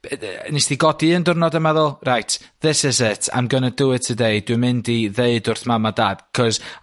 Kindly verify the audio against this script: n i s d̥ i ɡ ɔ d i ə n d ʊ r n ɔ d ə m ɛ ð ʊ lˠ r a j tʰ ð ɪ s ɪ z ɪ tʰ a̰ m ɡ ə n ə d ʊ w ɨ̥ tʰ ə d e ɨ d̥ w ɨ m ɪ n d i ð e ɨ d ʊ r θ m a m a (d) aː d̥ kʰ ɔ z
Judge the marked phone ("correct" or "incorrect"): correct